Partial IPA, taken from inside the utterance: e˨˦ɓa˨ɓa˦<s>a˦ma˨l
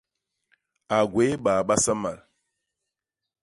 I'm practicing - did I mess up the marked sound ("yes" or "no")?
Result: no